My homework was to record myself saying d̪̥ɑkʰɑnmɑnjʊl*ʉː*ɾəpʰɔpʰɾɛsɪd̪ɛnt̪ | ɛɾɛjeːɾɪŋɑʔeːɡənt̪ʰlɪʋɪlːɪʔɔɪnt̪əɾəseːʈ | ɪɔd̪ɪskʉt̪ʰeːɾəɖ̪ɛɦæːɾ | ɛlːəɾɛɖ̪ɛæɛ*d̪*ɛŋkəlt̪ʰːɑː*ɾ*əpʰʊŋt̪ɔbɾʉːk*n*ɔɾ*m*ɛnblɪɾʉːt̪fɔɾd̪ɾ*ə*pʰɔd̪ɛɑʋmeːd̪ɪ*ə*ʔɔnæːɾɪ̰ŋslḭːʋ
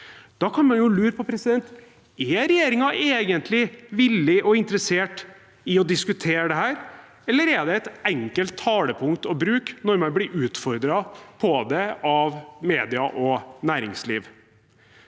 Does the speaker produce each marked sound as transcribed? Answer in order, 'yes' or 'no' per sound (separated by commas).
yes, no, no, yes, yes, no, no